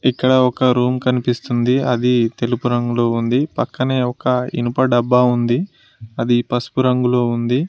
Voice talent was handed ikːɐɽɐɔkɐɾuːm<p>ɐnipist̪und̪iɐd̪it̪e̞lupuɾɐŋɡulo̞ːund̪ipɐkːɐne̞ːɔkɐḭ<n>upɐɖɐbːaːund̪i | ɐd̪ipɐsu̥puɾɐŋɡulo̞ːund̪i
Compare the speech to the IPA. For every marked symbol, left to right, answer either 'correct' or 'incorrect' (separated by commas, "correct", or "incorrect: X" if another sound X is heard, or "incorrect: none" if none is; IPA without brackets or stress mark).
incorrect: k, correct